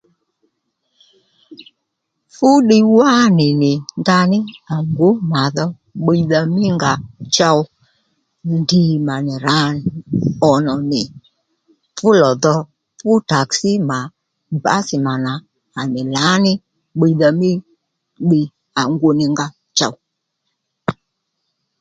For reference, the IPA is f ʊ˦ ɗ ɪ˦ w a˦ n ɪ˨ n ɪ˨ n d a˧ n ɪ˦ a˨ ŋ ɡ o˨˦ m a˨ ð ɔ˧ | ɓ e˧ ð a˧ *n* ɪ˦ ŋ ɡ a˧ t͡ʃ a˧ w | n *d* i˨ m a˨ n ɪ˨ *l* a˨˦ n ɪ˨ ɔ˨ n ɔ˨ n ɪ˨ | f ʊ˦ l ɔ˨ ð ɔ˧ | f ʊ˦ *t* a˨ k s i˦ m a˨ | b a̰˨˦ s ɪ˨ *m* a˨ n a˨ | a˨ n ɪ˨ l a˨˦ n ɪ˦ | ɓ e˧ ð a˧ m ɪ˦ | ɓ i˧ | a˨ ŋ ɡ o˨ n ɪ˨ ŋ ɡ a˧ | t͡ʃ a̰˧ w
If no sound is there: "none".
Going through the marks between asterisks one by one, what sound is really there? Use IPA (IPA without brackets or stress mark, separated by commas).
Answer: m, d, ɾ, t, m